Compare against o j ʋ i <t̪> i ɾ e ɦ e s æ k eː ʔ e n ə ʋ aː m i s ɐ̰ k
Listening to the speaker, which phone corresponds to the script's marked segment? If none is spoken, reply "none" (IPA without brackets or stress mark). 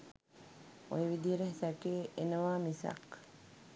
d̪